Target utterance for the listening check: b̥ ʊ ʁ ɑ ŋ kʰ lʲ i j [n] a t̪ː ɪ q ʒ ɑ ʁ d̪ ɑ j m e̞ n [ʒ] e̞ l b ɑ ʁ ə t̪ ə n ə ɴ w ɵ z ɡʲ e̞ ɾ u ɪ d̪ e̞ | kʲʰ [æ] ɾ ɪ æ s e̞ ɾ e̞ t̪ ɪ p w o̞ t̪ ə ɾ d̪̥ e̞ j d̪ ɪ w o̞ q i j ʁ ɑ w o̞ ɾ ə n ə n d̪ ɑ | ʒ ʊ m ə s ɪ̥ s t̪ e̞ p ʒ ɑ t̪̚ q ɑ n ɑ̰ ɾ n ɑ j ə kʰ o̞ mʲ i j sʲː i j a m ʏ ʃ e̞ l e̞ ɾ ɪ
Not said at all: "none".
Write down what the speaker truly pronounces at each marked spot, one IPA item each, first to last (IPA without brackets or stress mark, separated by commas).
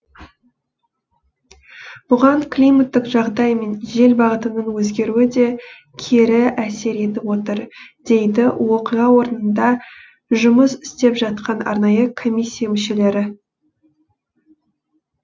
m, ʒ, e